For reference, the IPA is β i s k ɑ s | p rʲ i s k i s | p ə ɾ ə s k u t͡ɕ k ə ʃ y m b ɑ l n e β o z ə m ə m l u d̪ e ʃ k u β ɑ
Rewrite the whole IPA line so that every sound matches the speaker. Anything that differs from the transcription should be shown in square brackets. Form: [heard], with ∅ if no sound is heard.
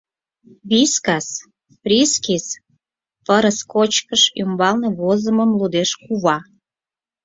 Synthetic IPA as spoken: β i s k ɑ s | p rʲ i s k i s | p ə ɾ ə s k [o] t͡ɕ k ə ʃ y m b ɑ l n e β o z ə m ə m l u d̪ e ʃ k u β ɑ